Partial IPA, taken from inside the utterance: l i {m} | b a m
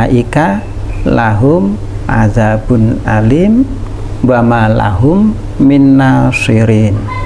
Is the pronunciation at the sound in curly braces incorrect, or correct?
correct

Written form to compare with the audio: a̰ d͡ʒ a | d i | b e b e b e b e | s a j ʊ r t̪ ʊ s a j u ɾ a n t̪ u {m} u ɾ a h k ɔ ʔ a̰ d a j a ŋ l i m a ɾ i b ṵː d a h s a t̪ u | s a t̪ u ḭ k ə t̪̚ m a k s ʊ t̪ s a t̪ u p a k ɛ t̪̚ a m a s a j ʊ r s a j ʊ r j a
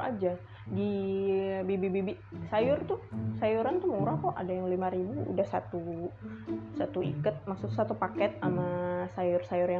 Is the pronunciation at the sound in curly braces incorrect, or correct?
correct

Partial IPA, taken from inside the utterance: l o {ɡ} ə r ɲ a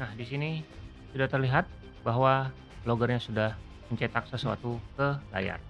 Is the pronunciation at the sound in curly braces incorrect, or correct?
correct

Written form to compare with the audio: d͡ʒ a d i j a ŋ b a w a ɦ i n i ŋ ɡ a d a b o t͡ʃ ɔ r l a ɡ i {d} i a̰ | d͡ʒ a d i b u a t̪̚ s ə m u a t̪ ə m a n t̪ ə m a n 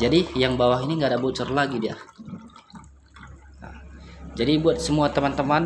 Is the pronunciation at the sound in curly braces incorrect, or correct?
correct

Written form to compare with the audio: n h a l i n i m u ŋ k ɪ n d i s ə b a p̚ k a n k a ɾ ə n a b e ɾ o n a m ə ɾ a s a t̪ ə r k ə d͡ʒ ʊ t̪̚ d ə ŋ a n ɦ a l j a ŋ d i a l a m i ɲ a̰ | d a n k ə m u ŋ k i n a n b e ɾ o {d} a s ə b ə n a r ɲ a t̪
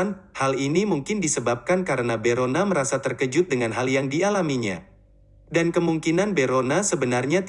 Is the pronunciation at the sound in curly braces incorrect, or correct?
incorrect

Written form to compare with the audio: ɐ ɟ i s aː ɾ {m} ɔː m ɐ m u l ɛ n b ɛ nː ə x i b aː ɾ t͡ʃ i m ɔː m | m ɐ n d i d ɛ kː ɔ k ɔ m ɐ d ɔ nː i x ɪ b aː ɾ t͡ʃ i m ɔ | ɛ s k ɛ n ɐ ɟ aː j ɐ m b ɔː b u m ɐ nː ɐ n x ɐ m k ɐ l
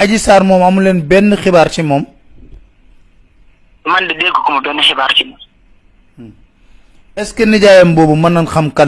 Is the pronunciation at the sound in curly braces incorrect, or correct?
correct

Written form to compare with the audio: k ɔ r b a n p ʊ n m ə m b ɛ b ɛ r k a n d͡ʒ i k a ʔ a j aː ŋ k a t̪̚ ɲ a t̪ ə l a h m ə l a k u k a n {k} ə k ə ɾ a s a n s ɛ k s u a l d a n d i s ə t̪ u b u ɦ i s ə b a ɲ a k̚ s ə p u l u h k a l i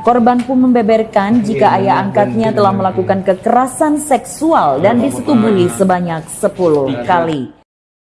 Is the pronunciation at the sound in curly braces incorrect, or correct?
correct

